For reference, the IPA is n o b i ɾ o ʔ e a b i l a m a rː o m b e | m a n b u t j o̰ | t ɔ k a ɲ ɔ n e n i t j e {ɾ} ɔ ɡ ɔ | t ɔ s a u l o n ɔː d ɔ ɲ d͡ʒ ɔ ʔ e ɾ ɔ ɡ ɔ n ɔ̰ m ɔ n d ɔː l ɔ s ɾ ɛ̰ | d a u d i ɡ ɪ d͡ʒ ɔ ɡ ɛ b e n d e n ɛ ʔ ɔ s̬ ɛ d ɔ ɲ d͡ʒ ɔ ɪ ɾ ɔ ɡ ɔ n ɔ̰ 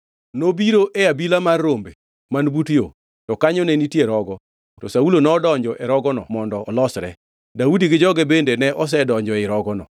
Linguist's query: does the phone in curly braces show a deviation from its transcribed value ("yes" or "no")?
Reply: no